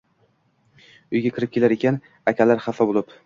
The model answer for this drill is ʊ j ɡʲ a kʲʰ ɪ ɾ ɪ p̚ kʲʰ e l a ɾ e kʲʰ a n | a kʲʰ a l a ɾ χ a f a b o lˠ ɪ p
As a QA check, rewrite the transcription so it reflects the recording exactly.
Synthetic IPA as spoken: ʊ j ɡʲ a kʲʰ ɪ ɾ ɪ p̚ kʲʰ e l a ɾ e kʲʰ a n | a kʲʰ a l a ɾ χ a f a b o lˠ ɪ p